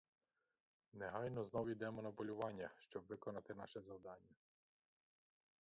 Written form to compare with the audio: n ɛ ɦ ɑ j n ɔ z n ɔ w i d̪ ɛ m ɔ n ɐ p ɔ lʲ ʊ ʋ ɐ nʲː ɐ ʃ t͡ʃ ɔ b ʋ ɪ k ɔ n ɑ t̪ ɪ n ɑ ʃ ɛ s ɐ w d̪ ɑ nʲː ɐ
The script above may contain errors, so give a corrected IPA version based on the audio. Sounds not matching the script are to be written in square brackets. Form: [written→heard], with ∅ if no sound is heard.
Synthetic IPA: n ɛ ɦ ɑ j n ɔ z n ɔ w i d̪ ɛ m ɔ n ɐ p ɔ lʲ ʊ ʋ [ɐ→ɑ] nʲː ɐ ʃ t͡ʃ ɔ b ʋ ɪ k ɔ n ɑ t̪ ɪ n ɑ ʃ ɛ [s→z] ɐ w d̪ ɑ nʲː ɐ